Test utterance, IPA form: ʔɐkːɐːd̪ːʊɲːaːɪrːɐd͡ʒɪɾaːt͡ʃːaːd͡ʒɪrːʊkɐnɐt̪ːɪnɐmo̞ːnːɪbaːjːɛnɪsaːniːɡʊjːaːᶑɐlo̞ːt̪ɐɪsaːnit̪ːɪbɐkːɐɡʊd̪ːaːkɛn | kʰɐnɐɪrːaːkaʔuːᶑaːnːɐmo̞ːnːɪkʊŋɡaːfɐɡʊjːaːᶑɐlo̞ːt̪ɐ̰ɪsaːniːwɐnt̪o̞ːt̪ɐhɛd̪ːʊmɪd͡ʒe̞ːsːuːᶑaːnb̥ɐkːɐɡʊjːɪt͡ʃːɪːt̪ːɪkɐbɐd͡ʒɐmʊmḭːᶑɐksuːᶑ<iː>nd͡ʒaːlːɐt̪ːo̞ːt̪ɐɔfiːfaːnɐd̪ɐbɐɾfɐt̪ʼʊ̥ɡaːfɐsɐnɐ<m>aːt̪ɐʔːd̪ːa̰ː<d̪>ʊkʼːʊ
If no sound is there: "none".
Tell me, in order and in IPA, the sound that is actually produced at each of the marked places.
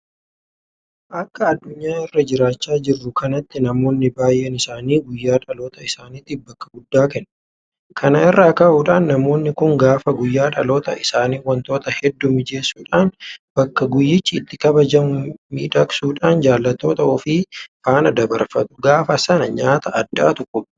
aː, ɲ, t̪

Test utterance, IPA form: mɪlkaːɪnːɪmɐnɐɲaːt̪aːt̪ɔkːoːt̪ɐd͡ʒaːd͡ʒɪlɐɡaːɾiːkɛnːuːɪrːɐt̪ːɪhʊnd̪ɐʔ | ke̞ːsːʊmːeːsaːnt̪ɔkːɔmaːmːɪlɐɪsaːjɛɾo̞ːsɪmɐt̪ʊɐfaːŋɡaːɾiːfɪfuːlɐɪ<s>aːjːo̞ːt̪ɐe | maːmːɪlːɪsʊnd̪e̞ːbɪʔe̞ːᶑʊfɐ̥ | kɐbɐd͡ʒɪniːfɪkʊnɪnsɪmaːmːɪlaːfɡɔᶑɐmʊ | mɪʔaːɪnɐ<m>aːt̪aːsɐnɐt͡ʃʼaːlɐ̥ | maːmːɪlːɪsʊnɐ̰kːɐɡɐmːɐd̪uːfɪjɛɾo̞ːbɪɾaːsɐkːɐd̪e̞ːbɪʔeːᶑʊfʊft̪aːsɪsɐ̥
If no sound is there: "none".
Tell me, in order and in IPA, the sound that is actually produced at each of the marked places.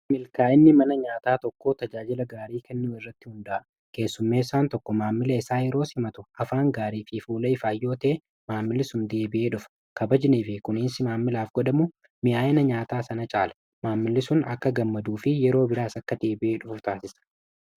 f, ɲ

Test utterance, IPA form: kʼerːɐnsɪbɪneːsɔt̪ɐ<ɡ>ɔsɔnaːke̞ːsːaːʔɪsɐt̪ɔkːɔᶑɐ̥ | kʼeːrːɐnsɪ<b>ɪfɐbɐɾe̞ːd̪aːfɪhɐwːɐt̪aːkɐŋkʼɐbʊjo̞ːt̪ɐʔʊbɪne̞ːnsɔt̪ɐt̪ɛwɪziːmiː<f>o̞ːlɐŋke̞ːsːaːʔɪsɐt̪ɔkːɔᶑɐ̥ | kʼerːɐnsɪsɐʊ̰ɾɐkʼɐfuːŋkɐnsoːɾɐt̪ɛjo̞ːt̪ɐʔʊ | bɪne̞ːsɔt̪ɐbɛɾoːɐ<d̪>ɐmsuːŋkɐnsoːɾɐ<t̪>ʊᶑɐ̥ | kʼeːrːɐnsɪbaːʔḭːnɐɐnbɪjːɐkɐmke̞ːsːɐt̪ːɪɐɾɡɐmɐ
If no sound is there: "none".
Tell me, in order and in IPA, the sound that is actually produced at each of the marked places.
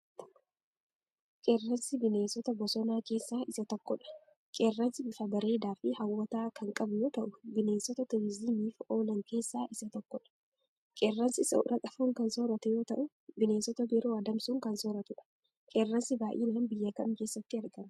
b, b, f, d̪, t̪

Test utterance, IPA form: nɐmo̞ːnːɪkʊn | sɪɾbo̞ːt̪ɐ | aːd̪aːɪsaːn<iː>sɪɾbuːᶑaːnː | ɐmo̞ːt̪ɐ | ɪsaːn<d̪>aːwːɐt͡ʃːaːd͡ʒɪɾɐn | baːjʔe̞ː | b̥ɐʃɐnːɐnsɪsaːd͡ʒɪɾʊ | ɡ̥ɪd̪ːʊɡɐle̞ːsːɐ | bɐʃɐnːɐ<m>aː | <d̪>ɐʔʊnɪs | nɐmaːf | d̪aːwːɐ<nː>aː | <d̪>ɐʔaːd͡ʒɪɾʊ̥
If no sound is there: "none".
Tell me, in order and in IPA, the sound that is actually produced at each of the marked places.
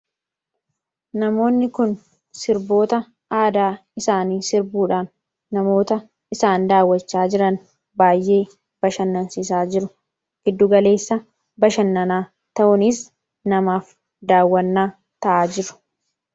iː, d̪, n, t̪, nː, t̪

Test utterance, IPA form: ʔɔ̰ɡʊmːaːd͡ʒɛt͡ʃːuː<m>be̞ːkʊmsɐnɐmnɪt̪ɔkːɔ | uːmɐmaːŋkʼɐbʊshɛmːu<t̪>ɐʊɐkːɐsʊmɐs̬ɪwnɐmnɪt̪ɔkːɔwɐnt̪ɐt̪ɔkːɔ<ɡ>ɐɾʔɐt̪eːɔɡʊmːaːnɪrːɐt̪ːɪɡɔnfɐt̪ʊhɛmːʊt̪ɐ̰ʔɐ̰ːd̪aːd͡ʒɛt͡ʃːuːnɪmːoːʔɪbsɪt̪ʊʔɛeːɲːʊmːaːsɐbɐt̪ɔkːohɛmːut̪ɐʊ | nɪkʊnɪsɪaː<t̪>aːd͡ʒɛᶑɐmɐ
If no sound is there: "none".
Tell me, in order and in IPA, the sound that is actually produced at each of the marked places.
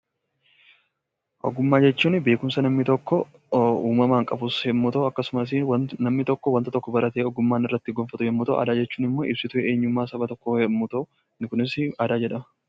n, t̪, b, d̪

